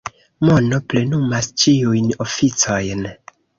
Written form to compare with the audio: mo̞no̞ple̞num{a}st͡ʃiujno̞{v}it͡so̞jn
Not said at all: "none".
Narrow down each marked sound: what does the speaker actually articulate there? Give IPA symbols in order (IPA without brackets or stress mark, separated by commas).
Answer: a, f